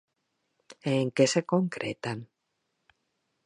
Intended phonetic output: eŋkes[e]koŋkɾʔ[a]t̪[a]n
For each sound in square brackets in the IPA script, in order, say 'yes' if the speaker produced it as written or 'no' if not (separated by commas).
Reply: yes, no, yes